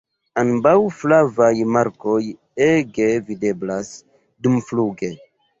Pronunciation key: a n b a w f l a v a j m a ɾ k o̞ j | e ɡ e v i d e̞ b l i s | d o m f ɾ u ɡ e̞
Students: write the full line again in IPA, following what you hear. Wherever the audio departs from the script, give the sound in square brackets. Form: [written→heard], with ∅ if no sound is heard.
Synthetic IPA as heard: a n b a w f l a v a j m a ɾ k o̞ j | e ɡ e v i d e̞ b l [i→a] s | d [o→u] m f [ɾ→l] u ɡ e̞